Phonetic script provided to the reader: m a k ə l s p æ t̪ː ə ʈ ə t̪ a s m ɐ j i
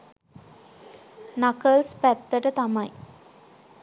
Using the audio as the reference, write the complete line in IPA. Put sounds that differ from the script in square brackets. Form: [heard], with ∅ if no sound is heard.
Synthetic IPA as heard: [n] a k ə l s p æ t̪ː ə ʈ ə t̪ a [∅] m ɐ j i